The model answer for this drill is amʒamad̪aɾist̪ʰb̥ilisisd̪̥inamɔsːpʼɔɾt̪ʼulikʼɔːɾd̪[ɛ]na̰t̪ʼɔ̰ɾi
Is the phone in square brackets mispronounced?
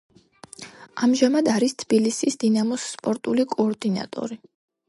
yes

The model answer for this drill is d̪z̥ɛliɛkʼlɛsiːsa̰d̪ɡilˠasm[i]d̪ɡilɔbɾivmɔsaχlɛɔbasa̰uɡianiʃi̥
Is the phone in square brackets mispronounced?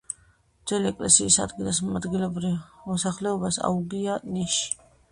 yes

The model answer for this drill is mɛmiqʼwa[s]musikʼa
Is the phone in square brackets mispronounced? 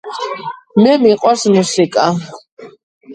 no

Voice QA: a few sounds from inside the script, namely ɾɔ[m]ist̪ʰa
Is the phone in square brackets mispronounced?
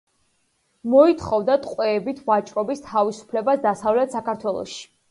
yes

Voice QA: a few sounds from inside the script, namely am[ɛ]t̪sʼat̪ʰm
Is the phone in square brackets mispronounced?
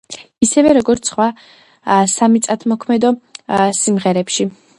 yes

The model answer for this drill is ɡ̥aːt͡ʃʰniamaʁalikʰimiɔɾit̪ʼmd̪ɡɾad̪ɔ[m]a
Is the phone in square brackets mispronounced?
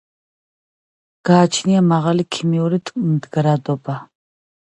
yes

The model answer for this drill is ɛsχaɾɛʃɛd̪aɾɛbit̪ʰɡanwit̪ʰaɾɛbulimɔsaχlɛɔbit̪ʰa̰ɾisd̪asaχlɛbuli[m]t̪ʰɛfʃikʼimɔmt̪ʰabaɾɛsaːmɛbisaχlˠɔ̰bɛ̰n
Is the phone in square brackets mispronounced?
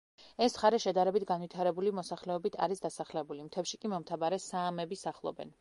no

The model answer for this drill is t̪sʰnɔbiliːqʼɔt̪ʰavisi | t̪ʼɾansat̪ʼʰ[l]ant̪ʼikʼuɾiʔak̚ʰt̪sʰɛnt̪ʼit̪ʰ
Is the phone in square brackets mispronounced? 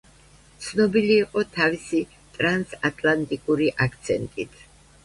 no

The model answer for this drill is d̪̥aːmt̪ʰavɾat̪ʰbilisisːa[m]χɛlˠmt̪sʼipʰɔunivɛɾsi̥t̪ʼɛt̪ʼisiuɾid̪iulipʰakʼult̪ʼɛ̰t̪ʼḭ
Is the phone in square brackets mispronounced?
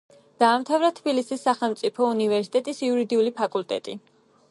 yes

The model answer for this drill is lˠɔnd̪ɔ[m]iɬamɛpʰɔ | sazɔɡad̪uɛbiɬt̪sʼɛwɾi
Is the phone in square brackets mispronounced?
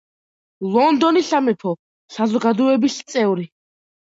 yes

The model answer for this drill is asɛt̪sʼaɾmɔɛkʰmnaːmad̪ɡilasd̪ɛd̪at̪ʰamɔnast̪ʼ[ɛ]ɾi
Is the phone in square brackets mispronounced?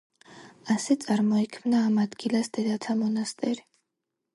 no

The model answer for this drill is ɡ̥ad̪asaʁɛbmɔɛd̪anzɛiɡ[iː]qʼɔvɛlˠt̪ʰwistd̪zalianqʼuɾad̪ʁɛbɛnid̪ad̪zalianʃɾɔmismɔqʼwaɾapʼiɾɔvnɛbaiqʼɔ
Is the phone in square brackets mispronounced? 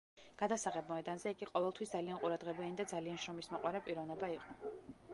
yes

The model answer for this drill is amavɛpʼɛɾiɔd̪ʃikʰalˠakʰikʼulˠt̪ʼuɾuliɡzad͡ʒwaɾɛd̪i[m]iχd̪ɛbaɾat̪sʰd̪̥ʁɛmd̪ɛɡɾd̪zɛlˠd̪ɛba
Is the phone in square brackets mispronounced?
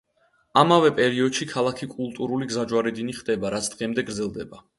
yes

